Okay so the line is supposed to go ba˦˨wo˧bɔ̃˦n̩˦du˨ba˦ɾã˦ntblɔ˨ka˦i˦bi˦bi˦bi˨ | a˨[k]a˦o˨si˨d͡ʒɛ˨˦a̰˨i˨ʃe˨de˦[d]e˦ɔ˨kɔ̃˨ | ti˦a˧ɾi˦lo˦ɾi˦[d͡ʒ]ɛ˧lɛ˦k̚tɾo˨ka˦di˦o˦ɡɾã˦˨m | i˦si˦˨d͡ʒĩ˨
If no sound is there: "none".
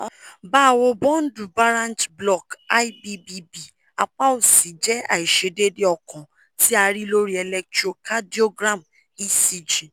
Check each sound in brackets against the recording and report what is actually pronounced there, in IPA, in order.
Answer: k͡p, d, none

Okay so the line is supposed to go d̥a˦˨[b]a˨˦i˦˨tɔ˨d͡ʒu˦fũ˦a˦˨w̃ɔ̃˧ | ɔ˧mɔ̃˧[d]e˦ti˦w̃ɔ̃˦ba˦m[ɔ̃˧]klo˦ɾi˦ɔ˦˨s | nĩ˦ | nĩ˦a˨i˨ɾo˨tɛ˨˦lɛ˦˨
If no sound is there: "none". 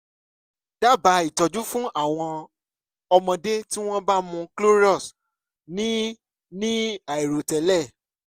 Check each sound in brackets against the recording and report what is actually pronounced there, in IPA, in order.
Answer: b, d, ũ˧

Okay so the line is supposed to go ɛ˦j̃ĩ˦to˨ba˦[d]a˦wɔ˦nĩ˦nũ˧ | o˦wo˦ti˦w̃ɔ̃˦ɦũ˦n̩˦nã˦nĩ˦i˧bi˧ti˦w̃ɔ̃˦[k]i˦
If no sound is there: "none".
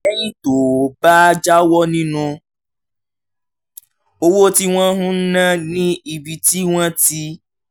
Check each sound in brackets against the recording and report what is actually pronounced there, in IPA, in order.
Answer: d͡ʒ, t

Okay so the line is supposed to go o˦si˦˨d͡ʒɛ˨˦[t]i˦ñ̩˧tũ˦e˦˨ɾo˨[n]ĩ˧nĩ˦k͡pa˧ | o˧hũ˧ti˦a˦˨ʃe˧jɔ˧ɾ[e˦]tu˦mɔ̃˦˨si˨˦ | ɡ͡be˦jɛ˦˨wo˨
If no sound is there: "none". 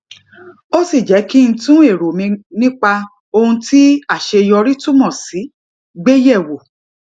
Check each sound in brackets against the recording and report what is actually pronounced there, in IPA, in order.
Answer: k, m, i˦

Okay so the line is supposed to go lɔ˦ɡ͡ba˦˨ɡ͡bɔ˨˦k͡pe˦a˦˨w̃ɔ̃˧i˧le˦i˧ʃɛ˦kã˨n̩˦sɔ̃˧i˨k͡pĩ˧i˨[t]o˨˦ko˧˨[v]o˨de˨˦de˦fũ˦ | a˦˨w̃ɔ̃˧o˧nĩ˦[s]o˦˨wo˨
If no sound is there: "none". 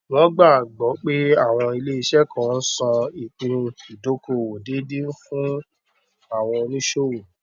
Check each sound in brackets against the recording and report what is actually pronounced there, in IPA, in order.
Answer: d, w, ʃ

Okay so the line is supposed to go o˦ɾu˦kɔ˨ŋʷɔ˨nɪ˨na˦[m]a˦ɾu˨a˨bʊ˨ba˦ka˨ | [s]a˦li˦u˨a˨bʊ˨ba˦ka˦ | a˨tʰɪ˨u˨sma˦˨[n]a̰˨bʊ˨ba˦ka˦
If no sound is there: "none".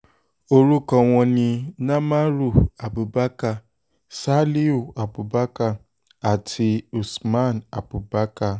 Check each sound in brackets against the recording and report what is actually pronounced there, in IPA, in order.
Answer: m, s, n

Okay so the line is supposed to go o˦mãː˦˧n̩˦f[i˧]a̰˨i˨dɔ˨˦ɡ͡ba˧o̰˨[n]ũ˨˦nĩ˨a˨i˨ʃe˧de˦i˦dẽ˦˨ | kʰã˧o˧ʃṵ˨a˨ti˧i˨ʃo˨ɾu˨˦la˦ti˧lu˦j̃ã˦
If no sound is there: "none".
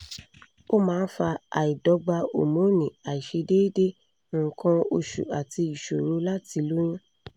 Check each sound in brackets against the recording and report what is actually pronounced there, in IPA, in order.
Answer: a˧, m

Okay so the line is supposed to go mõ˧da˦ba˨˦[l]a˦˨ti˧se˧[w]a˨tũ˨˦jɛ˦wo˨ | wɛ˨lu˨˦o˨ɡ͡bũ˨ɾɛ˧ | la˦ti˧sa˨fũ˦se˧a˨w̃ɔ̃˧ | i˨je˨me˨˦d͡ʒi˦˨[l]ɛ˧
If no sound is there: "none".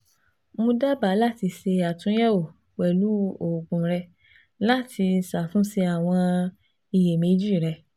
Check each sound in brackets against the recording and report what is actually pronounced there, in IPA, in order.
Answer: l, none, ɾ

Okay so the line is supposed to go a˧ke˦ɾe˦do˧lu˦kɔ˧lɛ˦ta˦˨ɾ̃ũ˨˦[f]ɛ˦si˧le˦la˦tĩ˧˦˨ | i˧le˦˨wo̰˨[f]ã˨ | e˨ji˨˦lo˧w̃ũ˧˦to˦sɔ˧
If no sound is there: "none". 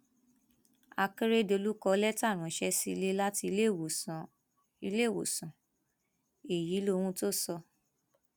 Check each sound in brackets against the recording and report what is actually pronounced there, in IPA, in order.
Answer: ʃ, s

